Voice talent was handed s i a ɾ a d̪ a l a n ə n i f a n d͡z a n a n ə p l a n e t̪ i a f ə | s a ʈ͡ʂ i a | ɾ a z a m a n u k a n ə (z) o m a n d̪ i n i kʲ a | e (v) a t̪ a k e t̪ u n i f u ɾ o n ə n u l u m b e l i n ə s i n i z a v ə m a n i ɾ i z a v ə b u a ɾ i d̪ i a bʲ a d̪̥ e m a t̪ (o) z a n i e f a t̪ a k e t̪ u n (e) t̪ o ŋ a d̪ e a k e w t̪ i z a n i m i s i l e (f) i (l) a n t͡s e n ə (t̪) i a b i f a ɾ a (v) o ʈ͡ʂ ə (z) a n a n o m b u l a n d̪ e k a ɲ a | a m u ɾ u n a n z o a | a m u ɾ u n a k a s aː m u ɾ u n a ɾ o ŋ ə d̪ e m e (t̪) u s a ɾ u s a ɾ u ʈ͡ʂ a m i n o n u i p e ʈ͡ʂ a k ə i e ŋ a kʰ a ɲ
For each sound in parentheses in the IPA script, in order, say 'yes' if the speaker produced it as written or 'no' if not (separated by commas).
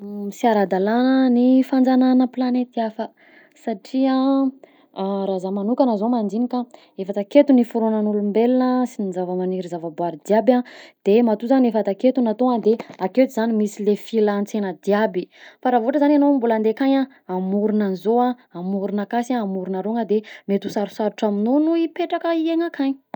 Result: yes, no, no, no, yes, yes, no, yes, yes, yes